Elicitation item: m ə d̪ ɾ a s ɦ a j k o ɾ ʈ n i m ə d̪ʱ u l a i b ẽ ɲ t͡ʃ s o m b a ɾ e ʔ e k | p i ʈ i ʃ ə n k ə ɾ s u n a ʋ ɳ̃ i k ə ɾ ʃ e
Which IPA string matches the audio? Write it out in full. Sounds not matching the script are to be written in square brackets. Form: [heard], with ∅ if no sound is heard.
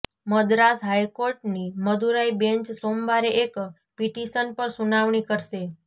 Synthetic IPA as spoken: m ə d̪ ɾ a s ɦ a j k o ɾ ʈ n i m ə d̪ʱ u [ɾ] a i b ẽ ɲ t͡ʃ s o m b a ɾ e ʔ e k | p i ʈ i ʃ ə n [p] ə ɾ s u n a ʋ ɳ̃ i k ə ɾ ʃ e